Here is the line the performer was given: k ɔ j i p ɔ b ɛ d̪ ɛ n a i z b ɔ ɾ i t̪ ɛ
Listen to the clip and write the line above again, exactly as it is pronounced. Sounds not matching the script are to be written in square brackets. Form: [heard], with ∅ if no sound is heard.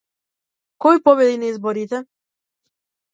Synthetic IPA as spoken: k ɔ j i p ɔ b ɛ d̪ [i] n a i z b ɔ ɾ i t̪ ɛ